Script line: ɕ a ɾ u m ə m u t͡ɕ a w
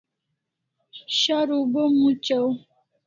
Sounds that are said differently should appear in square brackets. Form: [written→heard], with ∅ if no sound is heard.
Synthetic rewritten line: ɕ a ɾ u [m→b] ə m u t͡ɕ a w

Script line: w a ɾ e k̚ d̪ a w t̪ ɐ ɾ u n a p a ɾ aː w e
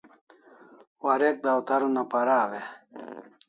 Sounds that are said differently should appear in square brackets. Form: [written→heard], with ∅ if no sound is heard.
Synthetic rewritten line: w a ɾ e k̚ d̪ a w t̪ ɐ ɾ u n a p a ɾ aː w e

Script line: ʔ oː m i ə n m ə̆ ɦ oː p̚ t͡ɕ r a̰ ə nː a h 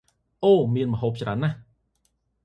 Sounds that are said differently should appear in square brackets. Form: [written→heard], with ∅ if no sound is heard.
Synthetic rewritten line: ʔ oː m i ə n m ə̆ ɦ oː p̚ t͡ɕ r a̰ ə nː a h

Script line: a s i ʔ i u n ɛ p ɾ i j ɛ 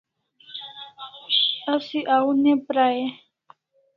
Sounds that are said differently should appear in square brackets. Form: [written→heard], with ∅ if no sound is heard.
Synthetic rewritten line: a s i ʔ [i→a] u n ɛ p ɾ [i→a] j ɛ

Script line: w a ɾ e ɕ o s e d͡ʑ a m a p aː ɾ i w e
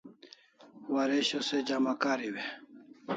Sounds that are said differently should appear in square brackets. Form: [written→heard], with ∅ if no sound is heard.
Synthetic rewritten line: w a ɾ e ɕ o s e d͡ʑ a m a [p→k] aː ɾ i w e

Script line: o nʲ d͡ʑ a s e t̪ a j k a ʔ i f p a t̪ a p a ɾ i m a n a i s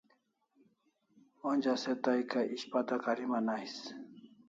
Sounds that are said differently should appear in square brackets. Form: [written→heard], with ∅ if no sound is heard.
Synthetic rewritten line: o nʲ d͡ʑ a s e t̪ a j k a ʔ i [f→ɕ] p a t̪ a [p→k] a ɾ i m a n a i s

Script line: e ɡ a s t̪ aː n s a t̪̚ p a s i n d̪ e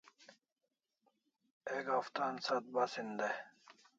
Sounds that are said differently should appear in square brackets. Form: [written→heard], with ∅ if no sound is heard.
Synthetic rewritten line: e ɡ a [s→f] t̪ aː n s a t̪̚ [p→b] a s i n d̪ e

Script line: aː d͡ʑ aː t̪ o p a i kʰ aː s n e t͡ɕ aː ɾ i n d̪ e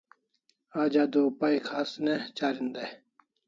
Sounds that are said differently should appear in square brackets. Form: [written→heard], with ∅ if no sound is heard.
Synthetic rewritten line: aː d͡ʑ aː [t̪→d̪] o p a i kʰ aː s n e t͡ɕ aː ɾ i n d̪ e

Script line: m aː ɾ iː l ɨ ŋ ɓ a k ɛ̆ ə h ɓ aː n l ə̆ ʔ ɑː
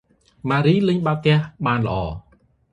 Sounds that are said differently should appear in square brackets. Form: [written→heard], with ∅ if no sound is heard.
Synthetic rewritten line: m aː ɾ iː l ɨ [ŋ→ɲ] ɓ a k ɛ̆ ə h ɓ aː n l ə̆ ʔ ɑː

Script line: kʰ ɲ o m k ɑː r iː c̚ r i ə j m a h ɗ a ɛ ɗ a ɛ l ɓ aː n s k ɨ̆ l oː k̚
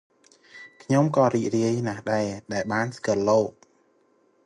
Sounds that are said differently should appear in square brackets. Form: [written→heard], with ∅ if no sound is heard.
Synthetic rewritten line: kʰ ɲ o m k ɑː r iː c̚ r i ə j [m→n] a h ɗ a ɛ ɗ a ɛ l ɓ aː n s k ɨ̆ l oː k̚

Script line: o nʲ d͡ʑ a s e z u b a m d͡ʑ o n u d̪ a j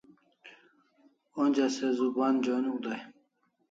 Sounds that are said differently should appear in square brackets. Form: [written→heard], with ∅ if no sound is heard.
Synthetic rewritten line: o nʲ d͡ʑ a s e z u b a [m→n] d͡ʑ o n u d̪ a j

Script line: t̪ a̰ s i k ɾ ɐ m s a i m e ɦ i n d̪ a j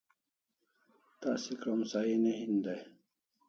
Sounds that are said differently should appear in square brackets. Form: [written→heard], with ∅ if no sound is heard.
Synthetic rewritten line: t̪ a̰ s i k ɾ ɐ m s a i [m→n] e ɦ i n d̪ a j

